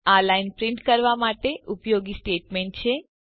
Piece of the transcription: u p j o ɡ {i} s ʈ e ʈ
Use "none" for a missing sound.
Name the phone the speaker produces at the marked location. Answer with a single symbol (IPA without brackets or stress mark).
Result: i